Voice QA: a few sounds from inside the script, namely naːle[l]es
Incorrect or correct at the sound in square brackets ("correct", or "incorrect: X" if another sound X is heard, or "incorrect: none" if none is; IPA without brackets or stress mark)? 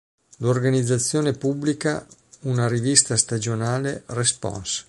incorrect: r